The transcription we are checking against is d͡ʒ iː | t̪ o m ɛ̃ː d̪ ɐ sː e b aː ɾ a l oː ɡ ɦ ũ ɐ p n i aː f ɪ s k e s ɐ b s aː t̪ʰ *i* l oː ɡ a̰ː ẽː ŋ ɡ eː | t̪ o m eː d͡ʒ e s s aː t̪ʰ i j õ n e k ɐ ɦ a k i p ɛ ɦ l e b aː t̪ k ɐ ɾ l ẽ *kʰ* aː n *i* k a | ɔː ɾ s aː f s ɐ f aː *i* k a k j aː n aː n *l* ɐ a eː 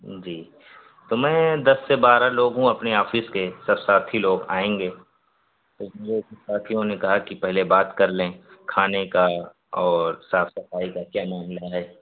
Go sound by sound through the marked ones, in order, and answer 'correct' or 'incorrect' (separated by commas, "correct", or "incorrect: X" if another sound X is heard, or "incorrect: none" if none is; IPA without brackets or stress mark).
correct, correct, incorrect: e, correct, correct